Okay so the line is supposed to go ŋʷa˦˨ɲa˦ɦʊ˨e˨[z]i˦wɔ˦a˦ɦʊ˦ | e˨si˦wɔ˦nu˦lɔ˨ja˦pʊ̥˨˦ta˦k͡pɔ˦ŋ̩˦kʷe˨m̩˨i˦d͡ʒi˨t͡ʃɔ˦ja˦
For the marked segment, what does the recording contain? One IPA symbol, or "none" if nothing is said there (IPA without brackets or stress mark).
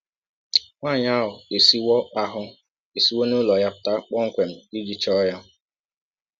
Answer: s